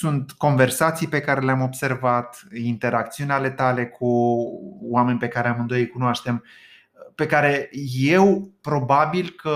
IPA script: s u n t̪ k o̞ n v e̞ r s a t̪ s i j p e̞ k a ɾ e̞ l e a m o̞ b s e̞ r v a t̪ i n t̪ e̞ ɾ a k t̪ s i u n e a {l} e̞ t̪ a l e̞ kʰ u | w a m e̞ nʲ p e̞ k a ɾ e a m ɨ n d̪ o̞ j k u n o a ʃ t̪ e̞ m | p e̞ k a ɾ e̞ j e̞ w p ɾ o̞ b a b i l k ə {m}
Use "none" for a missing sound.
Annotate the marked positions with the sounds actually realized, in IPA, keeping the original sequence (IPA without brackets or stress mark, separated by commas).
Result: l, none